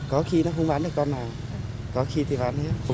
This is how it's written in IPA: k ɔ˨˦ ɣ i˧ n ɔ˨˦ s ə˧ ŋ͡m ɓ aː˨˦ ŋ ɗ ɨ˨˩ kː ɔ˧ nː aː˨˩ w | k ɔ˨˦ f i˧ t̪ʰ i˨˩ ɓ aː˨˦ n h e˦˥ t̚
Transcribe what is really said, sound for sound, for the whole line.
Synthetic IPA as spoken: k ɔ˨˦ x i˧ n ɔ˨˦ x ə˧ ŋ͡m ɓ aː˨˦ n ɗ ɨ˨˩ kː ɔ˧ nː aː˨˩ w | k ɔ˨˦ x i˧ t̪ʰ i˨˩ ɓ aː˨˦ n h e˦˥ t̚